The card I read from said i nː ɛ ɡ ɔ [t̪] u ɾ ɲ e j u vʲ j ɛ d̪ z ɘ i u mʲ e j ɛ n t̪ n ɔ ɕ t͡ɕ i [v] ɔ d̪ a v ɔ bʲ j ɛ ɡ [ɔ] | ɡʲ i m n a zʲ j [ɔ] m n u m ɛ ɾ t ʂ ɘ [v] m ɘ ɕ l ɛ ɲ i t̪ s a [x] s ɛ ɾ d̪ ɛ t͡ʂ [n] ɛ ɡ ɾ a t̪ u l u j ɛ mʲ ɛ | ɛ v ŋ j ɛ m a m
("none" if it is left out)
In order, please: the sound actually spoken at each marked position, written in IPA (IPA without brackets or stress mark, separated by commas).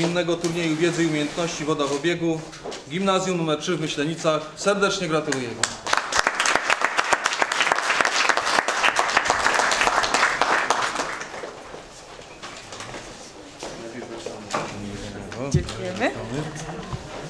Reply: t̪, v, u, u, v, x, ɲ